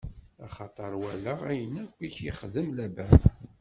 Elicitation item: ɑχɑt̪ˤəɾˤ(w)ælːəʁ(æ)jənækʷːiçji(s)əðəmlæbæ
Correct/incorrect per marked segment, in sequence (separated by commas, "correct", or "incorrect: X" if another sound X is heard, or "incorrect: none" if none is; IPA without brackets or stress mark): correct, correct, incorrect: χ